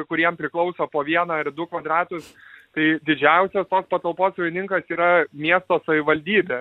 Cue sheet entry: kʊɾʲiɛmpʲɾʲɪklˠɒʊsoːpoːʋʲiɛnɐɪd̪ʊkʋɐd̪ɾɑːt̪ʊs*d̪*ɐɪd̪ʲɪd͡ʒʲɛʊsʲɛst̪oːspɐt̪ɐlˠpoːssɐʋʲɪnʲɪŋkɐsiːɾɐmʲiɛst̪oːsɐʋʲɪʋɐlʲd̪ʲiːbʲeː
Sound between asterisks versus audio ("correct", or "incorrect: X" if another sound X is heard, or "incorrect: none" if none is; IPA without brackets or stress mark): incorrect: t̪